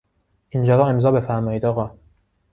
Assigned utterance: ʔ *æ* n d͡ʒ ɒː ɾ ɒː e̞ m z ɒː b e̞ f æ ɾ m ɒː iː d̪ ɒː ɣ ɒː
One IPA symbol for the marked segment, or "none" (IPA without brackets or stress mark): i